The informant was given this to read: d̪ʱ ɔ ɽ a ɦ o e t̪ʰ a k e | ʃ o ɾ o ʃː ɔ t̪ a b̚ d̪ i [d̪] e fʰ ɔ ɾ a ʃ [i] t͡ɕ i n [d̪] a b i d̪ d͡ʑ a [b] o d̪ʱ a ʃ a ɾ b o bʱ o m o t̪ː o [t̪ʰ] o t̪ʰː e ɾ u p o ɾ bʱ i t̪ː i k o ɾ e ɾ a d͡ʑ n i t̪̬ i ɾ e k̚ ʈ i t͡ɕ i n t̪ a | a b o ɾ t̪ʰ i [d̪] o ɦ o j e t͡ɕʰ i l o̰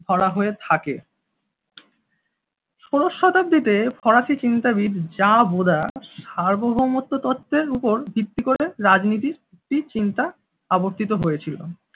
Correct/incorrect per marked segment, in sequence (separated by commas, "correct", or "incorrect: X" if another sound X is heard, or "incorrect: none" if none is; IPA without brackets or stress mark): incorrect: t̪, correct, incorrect: t̪, correct, incorrect: t̪, incorrect: t̪